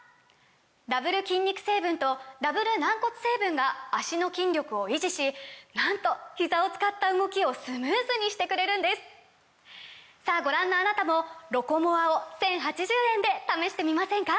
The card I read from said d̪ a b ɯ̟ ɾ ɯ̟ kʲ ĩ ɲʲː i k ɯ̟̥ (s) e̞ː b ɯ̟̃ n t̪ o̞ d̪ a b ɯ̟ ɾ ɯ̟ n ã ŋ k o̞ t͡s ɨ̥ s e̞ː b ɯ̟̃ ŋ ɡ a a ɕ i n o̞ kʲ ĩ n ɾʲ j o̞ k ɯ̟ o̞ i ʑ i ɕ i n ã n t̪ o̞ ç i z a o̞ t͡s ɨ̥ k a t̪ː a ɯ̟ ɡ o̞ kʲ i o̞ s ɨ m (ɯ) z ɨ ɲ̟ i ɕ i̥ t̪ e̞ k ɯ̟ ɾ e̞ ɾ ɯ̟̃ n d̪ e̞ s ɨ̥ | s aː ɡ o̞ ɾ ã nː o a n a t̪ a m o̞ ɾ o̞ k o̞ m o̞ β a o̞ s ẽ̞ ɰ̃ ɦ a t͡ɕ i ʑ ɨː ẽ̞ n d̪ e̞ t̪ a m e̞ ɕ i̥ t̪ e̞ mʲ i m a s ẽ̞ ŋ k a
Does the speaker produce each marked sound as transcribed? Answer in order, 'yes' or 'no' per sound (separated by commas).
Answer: yes, no